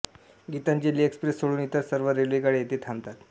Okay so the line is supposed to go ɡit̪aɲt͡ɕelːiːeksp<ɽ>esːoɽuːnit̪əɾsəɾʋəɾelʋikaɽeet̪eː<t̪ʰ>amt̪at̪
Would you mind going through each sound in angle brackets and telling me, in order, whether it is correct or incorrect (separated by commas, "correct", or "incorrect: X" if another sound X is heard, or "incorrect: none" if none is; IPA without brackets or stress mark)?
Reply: incorrect: ɾ, correct